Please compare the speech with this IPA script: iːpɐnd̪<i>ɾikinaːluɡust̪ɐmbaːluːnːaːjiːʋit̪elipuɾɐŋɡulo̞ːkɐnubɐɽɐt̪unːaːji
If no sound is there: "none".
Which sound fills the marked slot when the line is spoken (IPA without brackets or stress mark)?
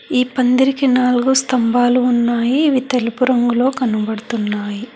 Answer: i